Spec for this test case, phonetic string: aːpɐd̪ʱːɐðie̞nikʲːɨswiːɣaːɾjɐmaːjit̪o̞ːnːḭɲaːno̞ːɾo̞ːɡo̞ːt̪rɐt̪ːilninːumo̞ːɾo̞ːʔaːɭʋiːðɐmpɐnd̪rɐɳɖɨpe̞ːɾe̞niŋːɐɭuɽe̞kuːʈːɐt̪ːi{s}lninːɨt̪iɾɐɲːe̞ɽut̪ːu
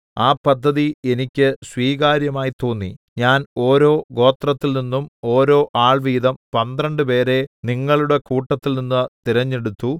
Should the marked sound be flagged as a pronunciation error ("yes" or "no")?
yes